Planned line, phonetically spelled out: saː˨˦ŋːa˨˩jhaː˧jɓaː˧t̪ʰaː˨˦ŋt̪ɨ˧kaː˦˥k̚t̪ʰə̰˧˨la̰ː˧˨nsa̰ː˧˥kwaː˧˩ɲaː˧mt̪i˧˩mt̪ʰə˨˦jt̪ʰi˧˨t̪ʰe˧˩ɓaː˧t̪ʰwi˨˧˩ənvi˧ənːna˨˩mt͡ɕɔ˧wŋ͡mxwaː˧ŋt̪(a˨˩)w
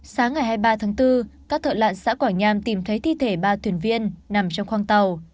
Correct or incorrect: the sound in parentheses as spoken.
incorrect: ə˨˩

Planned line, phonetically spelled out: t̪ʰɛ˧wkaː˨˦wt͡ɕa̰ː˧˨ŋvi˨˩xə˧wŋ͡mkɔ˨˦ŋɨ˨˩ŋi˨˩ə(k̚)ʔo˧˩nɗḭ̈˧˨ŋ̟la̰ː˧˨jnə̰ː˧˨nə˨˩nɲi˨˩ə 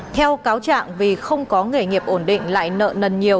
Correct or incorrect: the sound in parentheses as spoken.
incorrect: p̚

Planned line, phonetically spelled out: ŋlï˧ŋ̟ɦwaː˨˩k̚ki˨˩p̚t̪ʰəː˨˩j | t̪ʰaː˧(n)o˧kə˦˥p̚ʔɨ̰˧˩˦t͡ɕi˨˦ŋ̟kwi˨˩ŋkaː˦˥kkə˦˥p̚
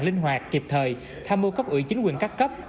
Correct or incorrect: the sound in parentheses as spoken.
incorrect: m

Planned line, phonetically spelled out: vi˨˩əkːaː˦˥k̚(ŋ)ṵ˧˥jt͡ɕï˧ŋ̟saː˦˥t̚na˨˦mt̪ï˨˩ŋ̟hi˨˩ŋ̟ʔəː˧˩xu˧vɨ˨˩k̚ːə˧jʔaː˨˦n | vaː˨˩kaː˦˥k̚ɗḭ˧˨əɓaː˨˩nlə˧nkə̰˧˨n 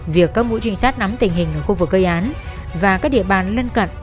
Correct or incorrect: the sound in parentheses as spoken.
incorrect: m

